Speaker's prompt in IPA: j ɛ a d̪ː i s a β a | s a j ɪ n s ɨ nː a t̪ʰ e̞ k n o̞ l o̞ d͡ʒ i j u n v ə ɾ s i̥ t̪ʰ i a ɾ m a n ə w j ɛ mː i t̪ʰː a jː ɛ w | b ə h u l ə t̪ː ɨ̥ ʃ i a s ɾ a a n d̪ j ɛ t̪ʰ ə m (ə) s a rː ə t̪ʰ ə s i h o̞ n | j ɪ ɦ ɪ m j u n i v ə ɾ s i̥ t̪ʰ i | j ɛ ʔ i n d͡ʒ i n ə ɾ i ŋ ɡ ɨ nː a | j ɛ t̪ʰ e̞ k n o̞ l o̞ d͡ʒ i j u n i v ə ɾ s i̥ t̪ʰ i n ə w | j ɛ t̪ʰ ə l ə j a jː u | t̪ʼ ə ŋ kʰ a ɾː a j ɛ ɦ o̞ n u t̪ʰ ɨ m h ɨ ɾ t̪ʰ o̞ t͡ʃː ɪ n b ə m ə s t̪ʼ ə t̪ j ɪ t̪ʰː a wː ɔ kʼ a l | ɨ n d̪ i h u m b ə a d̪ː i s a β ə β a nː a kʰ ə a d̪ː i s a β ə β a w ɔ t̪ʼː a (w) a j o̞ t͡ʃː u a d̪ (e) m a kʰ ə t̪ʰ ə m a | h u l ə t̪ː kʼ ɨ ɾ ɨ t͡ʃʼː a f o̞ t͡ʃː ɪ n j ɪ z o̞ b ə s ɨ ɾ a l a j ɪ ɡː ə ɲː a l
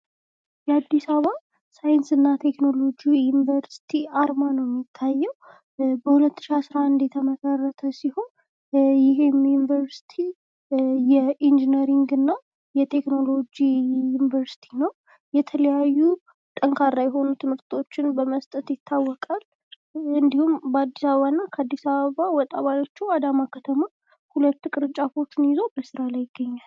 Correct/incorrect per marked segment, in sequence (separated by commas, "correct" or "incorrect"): correct, incorrect, incorrect